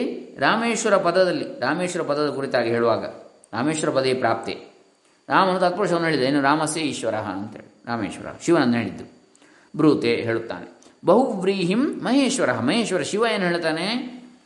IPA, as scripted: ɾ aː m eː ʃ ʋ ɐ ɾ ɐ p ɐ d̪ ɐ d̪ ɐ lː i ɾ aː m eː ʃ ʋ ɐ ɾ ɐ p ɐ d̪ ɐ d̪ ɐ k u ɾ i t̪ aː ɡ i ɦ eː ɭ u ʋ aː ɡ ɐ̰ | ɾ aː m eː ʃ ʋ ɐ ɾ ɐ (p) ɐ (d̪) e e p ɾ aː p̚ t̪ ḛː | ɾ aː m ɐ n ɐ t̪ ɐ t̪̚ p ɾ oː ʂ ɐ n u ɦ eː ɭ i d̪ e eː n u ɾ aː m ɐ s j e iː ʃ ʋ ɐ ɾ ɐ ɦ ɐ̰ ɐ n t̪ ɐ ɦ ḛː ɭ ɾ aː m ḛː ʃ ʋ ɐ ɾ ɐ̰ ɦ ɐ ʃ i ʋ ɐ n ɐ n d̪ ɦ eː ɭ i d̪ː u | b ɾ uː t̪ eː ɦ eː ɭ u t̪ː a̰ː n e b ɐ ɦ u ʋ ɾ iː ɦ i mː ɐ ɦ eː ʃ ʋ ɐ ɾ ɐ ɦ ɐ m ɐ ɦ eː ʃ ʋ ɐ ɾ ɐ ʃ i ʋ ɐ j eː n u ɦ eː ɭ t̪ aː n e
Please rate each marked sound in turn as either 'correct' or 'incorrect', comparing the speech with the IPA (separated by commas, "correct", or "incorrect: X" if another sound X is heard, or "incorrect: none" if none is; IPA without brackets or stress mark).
correct, correct